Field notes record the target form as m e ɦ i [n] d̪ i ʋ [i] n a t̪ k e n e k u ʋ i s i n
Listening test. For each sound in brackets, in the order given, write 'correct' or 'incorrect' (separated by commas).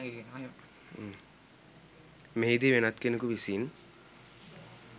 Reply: incorrect, incorrect